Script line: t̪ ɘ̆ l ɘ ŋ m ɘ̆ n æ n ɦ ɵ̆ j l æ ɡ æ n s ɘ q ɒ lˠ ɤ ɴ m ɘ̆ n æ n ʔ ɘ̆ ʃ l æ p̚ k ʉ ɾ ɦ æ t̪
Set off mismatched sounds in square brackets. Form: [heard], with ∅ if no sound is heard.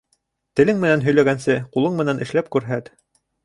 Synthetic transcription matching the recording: t̪ ɘ̆ l ɘ ŋ m ɘ̆ n æ n ɦ ɵ̆ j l æ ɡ æ n s ɘ q [u] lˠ ɤ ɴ m ɘ̆ n æ n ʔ ɘ̆ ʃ l æ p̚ k ʉ ɾ ɦ æ t̪